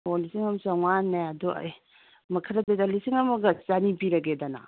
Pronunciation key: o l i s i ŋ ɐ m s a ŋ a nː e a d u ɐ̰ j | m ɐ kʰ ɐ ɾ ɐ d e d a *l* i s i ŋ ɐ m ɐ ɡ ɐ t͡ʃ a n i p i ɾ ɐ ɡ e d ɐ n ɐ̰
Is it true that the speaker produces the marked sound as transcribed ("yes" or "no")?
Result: yes